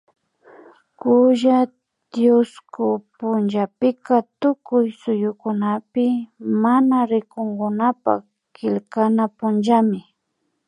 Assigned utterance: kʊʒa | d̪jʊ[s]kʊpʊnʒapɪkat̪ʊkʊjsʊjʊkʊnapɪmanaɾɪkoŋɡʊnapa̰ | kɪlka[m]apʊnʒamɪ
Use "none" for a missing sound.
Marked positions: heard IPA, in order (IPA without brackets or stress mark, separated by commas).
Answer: s, n